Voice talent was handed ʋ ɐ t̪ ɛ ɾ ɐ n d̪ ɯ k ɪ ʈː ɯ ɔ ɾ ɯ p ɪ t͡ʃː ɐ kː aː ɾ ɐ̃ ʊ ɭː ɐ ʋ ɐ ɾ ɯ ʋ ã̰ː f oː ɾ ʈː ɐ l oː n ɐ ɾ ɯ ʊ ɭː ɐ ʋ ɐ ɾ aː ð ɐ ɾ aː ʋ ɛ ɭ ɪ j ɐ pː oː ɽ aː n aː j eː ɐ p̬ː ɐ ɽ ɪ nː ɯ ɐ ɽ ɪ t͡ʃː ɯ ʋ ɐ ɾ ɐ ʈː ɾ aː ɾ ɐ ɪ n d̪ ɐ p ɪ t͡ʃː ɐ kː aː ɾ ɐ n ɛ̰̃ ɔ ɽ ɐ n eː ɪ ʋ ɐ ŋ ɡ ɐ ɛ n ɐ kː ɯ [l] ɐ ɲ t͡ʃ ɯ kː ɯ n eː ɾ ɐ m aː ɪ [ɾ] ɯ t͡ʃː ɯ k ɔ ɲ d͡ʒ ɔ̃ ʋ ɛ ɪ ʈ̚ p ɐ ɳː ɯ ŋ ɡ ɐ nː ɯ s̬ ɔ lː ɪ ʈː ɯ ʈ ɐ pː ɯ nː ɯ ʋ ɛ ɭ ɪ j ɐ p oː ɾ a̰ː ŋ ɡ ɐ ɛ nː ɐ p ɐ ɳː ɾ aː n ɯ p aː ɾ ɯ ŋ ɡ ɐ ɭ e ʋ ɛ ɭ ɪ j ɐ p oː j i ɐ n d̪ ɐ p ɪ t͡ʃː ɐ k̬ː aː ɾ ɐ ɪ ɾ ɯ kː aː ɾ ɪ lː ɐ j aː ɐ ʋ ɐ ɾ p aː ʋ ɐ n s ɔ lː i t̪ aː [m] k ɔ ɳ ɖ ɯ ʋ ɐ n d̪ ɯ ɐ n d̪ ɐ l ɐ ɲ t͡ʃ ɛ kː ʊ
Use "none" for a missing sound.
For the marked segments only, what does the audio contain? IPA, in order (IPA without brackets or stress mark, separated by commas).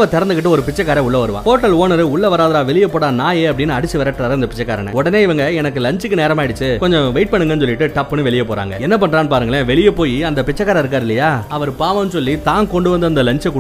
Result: l, ɽ, n